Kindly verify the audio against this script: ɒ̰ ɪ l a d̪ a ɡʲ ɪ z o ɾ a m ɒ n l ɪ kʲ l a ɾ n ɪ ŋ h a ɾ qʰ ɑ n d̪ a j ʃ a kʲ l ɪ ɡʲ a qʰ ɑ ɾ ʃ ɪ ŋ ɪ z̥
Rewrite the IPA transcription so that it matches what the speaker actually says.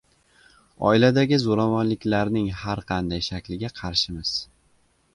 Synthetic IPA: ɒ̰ ɪ l a d̪ a ɡʲ ɪ z o ɾ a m ɒ n l ɪ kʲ l a ɾ n ɪ ŋ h a ɾ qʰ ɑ n d̪ a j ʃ a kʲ l ɪ ɡʲ a qʰ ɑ ɾ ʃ ɪ m ɪ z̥